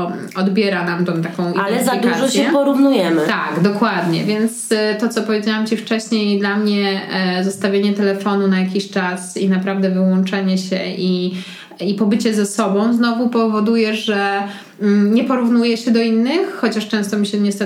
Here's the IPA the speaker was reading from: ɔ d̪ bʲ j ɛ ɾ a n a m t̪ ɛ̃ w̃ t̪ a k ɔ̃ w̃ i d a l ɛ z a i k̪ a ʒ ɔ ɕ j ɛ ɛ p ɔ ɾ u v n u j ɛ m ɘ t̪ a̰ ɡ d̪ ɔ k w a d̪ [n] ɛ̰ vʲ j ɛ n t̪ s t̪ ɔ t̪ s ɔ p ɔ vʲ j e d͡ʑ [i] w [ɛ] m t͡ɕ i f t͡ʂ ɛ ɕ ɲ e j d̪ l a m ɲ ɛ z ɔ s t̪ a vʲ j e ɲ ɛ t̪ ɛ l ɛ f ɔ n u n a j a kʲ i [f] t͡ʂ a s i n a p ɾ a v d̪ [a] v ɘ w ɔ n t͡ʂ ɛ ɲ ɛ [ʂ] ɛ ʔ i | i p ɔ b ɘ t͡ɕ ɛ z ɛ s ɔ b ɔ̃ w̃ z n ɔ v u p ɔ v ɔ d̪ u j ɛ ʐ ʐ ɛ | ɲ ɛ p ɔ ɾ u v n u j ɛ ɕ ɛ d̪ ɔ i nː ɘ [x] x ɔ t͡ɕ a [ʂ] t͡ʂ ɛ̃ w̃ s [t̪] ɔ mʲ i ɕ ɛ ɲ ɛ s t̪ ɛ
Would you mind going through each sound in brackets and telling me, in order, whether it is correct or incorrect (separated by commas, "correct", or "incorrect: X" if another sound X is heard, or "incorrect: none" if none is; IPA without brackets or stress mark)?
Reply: incorrect: ɲ, incorrect: a, incorrect: a, incorrect: ɕ, incorrect: ɛ, incorrect: ɕ, correct, correct, correct